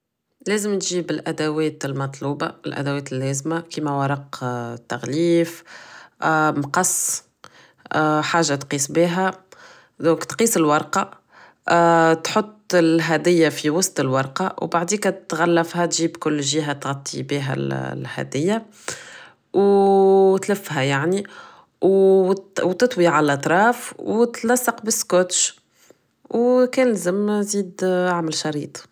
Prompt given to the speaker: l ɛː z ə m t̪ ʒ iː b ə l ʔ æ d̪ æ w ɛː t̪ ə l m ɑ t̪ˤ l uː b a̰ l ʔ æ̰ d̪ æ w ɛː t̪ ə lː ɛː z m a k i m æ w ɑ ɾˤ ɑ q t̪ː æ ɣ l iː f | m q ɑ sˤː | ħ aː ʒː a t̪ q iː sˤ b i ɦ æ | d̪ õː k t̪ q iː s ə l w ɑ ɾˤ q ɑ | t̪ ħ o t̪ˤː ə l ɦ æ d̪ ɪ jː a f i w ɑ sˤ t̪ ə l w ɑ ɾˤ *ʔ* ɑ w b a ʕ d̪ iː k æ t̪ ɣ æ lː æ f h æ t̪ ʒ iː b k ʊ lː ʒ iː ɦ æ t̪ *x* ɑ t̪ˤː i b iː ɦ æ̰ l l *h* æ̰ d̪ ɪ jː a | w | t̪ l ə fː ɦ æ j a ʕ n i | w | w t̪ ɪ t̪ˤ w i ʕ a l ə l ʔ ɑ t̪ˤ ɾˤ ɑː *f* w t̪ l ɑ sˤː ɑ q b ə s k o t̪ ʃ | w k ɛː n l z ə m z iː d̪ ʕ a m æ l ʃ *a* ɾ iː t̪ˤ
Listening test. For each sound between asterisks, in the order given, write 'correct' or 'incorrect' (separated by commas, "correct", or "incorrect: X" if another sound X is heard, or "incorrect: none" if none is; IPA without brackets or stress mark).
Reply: incorrect: q, incorrect: ɣ, correct, correct, incorrect: ɑ